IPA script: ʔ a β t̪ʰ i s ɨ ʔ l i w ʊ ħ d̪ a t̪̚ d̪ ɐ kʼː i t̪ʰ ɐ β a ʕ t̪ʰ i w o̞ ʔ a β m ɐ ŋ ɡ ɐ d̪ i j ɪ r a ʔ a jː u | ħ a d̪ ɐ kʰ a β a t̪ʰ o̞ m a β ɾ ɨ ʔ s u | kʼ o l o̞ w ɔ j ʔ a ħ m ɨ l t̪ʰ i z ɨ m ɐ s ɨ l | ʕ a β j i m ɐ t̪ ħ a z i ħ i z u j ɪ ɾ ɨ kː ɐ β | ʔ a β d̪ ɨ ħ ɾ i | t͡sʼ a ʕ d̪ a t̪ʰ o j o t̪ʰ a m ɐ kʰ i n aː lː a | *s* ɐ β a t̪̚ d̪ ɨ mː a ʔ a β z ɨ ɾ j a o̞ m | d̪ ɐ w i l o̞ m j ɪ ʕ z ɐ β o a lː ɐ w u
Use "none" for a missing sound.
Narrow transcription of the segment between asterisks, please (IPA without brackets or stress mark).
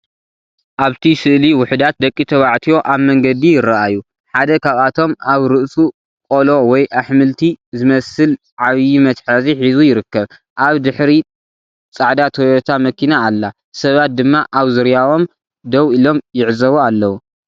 s